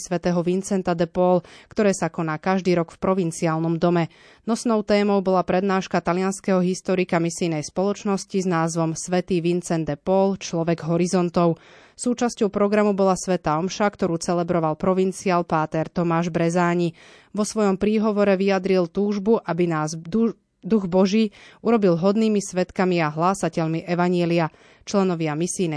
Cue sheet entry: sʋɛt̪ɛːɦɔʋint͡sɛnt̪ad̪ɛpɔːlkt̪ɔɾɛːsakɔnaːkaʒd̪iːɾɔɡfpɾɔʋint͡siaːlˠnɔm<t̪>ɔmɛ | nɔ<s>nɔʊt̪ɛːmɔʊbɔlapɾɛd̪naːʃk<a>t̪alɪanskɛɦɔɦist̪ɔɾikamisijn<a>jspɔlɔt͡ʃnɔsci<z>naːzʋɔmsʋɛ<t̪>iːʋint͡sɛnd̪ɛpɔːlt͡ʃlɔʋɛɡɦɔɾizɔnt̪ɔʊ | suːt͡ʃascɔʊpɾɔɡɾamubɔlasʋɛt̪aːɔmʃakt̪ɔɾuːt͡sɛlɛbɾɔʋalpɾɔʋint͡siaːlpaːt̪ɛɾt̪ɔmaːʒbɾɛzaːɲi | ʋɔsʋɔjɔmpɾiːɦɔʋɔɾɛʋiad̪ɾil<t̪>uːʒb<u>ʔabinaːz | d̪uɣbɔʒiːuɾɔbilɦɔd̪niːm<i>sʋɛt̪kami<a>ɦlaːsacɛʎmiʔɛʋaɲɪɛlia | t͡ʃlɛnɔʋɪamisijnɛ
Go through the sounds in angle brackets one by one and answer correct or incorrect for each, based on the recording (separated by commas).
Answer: incorrect, correct, correct, incorrect, correct, correct, correct, correct, correct, correct